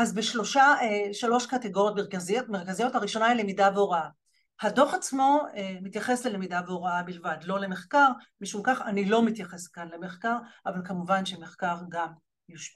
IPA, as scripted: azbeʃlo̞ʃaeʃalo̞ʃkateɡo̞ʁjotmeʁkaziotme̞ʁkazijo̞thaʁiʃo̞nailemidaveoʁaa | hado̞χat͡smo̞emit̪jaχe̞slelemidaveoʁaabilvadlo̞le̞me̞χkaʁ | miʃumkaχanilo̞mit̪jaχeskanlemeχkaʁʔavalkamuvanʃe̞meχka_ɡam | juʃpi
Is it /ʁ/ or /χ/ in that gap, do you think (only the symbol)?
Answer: ʁ